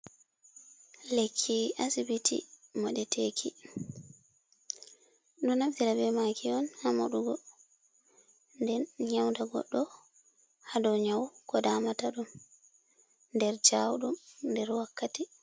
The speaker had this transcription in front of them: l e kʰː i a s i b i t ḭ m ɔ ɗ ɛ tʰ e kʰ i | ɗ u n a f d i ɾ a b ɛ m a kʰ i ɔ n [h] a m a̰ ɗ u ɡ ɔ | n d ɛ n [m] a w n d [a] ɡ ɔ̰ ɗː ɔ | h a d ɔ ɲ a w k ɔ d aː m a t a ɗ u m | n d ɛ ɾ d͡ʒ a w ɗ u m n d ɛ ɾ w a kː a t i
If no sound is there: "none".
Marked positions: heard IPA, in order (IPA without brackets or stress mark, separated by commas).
h, ɲ, a